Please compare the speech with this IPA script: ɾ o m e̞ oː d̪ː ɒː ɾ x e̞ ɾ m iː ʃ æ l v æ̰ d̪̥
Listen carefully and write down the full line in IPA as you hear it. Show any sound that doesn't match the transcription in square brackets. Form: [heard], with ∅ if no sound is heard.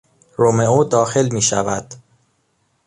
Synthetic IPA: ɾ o m e̞ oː [d̪] ɒː [∅] x e̞ [l] m iː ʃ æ [∅] v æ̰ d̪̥